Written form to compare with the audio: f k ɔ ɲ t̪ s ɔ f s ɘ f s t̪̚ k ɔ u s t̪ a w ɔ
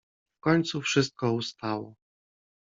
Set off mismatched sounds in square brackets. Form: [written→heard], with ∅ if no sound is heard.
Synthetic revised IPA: f k ɔ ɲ t̪ s [ɔ→u] f [s→ʂ] ɘ [f→∅] s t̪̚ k ɔ u s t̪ a w ɔ